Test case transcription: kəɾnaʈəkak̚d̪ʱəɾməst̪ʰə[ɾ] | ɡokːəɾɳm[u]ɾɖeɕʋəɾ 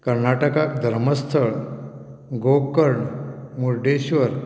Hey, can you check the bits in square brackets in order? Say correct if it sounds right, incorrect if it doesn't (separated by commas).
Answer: incorrect, correct